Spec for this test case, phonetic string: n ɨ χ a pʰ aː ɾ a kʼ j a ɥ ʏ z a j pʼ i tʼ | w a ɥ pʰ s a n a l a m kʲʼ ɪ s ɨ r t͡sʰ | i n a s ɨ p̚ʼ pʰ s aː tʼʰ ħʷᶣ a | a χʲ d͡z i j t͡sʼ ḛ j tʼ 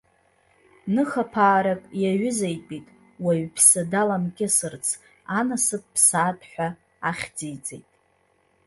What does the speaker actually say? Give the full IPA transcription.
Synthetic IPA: n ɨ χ a pʰ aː ɾ a kʼ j a ɥ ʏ z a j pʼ i tʼ | w a ɥ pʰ s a d a l a m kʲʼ ɪ s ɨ r t͡sʰ | a n a s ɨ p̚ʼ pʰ s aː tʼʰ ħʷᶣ a | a χʲ d͡z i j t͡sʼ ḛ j tʼ

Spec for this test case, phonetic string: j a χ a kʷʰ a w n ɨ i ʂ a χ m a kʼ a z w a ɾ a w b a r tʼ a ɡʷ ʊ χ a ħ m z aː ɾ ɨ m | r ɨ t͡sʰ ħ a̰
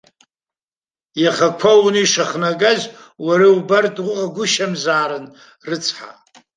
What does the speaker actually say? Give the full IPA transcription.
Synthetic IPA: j a χ a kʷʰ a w n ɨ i ʂ a χ n a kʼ a z w a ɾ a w b a r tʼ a ɡʷ ʊ ʃ a m z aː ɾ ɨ n | r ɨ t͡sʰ ħ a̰

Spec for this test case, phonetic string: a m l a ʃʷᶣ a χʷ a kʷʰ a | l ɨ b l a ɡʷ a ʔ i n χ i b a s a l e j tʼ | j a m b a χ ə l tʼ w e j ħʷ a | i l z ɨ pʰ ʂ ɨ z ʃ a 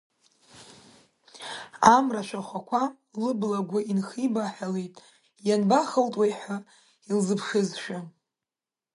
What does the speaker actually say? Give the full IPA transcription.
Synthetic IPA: a m r a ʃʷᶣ a χʷ a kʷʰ a | l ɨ b l a ɡʷ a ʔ i n χ i b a ħ a l e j tʼ | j a n b a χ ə l tʼ w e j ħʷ a | i l z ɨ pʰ ʂ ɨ z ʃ a

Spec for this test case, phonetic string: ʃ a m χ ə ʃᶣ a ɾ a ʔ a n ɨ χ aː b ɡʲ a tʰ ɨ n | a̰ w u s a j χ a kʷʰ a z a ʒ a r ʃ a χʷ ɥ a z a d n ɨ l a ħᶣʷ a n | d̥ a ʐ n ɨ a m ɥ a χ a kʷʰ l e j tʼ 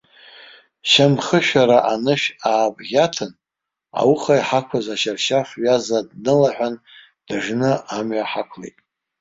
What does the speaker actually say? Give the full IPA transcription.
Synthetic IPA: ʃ a m χ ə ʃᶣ a ɾ a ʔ a n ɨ ʃ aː b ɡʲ a tʰ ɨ n | a̰ w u χ a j ħ a kʷʰ a z a ʃ a r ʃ a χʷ ɥ a z a d n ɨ l a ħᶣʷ a n | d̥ a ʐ n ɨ a m ɥ a ħ a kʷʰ l e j tʼ

